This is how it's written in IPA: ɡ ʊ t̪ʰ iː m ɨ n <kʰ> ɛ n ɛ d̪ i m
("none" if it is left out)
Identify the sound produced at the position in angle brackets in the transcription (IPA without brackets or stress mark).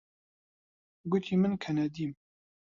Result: kʰ